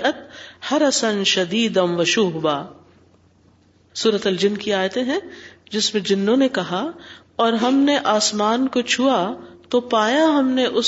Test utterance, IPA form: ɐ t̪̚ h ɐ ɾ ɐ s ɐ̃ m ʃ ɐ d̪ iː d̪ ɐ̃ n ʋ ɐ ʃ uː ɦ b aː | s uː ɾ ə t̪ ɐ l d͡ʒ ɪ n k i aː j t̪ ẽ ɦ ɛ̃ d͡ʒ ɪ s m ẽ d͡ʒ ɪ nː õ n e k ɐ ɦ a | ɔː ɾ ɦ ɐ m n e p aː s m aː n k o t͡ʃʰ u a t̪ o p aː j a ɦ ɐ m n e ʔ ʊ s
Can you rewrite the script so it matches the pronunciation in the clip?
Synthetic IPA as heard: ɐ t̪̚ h ɐ ɾ ɐ s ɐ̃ n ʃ ɐ d̪ iː d̪ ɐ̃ n ʋ ɐ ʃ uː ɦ b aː | s uː ɾ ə t̪ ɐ l d͡ʒ ɪ n k i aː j t̪ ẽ ɦ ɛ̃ d͡ʒ ɪ s m ẽ d͡ʒ ɪ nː õ n e k ɐ ɦ a | ɔː ɾ ɦ ɐ m n e ʔ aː s m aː n k o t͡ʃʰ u a t̪ o p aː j a ɦ ɐ m n e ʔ ʊ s